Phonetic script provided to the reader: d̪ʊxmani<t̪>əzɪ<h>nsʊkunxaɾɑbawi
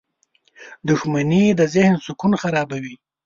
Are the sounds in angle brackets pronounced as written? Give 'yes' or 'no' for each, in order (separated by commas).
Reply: no, yes